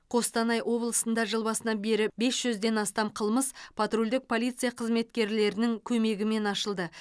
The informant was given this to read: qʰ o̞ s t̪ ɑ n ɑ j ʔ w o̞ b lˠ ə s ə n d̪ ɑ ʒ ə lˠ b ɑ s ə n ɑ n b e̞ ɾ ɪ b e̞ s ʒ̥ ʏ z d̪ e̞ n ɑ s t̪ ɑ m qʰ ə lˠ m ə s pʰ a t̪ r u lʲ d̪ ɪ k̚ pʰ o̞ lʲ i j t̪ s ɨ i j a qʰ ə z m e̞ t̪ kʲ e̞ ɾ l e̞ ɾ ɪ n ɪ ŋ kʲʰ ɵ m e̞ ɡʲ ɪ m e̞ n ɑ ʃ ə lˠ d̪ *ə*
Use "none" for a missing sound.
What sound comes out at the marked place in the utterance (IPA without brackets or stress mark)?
ə